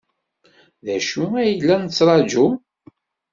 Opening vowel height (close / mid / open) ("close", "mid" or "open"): open